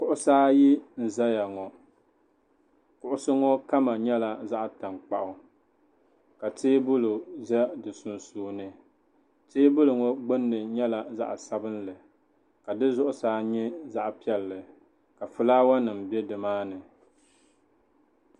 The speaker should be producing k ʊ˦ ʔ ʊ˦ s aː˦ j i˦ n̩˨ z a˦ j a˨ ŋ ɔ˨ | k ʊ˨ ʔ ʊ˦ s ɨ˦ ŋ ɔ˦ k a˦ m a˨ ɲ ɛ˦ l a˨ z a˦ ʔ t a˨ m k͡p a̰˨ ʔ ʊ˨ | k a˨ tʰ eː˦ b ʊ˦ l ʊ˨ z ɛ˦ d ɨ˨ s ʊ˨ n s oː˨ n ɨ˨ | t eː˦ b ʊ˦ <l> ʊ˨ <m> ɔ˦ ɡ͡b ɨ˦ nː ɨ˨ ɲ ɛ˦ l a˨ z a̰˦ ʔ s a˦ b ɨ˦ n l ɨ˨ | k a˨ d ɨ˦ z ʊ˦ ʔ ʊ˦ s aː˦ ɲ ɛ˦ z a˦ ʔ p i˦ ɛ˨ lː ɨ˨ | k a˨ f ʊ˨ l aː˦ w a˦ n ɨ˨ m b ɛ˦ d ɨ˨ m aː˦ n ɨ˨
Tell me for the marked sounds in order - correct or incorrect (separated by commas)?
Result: correct, incorrect